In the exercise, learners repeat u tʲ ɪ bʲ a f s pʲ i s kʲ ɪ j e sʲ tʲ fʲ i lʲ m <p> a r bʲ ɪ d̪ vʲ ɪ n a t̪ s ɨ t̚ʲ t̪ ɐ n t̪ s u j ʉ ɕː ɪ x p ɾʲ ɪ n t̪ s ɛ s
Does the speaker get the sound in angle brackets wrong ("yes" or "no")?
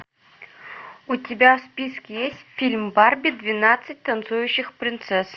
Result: yes